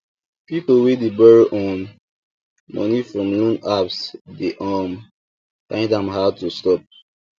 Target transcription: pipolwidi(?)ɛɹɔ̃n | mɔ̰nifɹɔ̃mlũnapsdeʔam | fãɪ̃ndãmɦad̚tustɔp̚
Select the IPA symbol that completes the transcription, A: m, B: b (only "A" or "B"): B